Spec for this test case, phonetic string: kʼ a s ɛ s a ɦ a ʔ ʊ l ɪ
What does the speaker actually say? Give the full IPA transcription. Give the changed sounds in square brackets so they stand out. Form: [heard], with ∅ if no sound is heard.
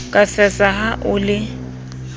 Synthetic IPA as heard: kʼ a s ɛ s a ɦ a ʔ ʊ l ɪ